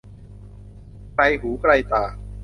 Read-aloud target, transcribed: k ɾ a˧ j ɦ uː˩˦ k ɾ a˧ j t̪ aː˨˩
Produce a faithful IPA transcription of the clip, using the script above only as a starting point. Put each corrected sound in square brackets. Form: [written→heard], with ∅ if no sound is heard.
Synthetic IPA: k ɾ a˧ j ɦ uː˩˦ k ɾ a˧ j t̪ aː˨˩

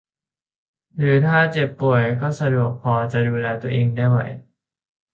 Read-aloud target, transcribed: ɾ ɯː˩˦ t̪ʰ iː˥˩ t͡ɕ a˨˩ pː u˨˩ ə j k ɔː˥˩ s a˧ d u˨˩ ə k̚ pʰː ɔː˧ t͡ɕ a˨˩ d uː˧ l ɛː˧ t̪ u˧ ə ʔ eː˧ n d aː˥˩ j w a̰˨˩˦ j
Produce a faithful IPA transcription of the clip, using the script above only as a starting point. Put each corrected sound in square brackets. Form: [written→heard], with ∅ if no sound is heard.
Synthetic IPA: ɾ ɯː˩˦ t̪ʰ [iː˥˩→aː˥˩] t͡ɕ [a˨˩→e˨˩] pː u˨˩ ə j k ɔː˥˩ s a˧ d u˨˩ ə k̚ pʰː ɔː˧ t͡ɕ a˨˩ d uː˧ l ɛː˧ t̪ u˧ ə ʔ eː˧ [n→ŋ] d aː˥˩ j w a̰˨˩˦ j

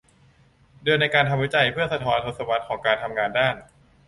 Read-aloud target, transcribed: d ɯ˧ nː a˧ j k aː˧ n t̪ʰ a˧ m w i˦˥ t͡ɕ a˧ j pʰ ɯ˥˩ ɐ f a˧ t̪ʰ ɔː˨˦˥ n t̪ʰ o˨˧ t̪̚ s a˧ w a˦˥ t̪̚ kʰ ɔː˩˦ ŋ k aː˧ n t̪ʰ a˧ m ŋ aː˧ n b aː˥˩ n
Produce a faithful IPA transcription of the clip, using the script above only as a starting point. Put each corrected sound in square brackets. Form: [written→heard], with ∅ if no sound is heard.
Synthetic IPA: d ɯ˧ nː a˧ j k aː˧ n t̪ʰ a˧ m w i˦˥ t͡ɕ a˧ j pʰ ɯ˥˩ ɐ [f→s] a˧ t̪ʰ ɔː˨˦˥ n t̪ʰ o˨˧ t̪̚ s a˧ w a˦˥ t̪̚ kʰ ɔː˩˦ ŋ k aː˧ n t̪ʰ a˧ m ŋ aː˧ n [b→d] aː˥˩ n

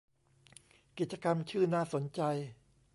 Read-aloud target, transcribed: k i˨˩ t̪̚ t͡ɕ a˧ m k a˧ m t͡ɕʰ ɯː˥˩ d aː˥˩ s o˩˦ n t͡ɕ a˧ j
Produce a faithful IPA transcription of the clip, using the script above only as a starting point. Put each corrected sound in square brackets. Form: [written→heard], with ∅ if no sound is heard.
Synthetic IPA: k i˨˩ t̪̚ t͡ɕ a˧ [m→∅] k a˧ m t͡ɕʰ ɯː˥˩ [d→n] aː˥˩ s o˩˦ n t͡ɕ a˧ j

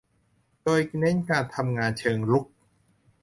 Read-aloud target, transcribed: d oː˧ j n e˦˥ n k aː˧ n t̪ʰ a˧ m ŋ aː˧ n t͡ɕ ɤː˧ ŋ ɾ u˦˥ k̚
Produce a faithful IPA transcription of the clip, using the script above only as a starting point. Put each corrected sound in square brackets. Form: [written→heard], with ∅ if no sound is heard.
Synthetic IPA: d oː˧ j n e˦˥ n k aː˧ n t̪ʰ a˧ m ŋ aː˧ n [t͡ɕ→t͡ɕʰ] ɤː˧ ŋ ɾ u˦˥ k̚

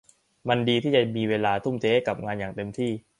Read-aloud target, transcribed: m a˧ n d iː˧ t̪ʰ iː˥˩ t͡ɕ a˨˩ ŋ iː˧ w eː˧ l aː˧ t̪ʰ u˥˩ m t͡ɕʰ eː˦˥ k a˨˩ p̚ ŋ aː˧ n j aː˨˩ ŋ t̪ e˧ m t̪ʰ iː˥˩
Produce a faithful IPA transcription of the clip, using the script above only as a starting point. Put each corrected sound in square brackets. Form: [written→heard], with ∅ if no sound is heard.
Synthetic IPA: m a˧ n d iː˧ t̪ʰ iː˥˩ t͡ɕ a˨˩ [ŋ→m] iː˧ w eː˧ l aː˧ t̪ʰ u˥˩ m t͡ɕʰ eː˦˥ k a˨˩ p̚ ŋ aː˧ n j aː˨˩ ŋ t̪ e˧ m t̪ʰ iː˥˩

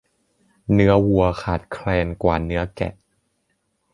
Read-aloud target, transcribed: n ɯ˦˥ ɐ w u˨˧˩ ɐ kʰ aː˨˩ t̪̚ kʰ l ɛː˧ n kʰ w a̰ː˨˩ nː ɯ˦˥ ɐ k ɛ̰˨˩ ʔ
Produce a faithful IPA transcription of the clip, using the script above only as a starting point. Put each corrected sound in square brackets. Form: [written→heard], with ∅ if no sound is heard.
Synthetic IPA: n ɯ˦˥ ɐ w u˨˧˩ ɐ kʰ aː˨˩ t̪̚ kʰ l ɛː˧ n [kʰ→k] w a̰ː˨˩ [nː→n] ɯ˦˥ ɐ k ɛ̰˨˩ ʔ

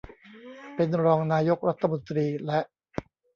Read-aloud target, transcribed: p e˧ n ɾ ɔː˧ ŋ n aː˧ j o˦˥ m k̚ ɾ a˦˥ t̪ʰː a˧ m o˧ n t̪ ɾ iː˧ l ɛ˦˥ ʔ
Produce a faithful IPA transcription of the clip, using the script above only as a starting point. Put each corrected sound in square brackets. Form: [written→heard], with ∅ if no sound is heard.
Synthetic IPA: p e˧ n ɾ ɔː˧ ŋ n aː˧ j o˦˥ [m→∅] k̚ ɾ a˦˥ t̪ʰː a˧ m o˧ n t̪ ɾ iː˧ l ɛ˦˥ ʔ

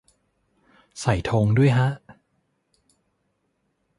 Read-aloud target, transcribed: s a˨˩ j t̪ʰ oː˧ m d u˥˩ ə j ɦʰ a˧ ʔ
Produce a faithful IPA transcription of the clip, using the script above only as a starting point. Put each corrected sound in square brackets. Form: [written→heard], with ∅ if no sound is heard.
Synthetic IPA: s a˨˩ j t̪ʰ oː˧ [m→ŋ] d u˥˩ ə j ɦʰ [a˧→a˦˥] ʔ

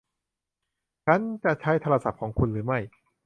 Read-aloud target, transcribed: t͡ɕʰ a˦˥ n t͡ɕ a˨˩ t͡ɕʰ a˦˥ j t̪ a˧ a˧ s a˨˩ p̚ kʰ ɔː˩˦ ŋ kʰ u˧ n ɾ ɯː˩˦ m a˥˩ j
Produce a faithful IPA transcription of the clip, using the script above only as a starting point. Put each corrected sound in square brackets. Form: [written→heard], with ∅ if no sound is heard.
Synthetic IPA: t͡ɕʰ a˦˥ n t͡ɕ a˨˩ t͡ɕʰ a˦˥ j [t̪→t̪ʰ] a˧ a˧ s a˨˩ p̚ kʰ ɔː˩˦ ŋ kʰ u˧ n ɾ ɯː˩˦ m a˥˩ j

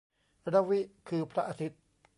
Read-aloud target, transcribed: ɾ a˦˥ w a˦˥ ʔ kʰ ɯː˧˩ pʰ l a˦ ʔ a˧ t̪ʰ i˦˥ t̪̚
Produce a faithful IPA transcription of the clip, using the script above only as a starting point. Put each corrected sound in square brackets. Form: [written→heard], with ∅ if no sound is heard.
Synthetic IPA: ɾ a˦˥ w [a˦˥→i˦˥] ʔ kʰ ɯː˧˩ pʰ [l→ɾ] a˦ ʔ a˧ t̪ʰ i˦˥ t̪̚

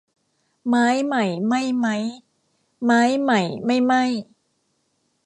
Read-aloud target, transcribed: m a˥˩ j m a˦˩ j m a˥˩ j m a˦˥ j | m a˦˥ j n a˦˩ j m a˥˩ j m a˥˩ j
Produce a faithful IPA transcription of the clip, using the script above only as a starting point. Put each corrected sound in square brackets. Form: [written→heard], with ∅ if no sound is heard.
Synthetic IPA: m [a˥˩→a˦˥] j m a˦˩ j m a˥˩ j m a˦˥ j | m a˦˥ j [n→m] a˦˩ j m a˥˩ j m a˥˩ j

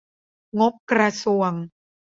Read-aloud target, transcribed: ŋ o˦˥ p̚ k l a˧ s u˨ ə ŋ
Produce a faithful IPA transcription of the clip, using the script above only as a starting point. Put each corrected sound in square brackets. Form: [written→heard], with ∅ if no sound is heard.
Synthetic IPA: ŋ o˦˥ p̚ k [l→ɾ] a˧ s u˨ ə ŋ

